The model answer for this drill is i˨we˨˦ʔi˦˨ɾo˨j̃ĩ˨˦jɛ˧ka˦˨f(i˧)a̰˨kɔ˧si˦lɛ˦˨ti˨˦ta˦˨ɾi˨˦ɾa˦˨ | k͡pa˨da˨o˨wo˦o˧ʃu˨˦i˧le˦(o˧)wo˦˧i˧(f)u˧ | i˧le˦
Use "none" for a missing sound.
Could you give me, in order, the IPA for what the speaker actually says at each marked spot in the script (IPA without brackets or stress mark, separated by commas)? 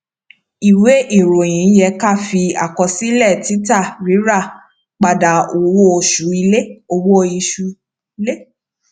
i˧, o˧, ʃ